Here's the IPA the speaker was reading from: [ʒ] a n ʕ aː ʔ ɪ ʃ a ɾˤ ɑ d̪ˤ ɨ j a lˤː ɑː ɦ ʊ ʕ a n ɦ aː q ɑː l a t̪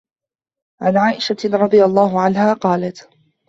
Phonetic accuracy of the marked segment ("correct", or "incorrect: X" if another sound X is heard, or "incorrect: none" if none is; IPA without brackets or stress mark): incorrect: ʕ